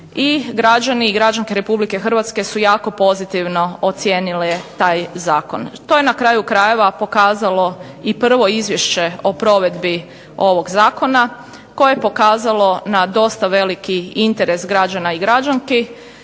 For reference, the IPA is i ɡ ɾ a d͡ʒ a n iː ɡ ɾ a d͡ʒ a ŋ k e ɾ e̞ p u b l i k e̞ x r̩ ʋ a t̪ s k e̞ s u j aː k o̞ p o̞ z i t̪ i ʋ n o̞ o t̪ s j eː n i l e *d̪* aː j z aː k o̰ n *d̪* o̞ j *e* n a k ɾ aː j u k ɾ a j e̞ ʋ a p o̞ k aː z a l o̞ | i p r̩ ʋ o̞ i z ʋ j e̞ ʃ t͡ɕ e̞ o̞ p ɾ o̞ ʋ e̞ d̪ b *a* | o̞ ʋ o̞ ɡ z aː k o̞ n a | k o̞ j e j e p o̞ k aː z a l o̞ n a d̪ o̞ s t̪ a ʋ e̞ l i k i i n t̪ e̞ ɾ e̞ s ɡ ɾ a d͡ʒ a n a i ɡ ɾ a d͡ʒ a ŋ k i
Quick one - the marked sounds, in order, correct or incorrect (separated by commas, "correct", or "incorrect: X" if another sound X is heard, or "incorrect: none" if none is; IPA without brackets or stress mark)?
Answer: incorrect: t̪, incorrect: t̪, correct, incorrect: i